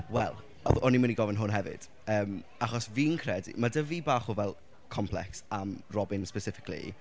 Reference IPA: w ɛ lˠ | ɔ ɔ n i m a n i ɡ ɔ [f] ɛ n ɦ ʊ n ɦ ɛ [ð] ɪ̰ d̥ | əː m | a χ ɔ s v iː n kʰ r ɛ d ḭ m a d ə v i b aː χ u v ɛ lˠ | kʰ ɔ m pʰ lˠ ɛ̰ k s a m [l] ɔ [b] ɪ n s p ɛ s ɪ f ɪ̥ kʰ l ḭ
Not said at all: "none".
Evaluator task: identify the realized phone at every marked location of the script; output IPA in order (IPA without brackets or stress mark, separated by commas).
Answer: v, v, r, b